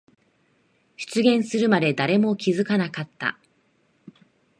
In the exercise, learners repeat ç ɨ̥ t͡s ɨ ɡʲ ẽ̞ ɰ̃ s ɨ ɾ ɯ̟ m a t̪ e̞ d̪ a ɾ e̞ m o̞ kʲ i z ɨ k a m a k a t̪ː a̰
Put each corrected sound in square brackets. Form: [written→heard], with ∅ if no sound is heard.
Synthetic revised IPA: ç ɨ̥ t͡s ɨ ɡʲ ẽ̞ ɰ̃ s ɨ ɾ ɯ̟ m a [t̪→d̪] e̞ d̪ a ɾ e̞ m o̞ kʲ i z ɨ k a [m→n] a k a t̪ː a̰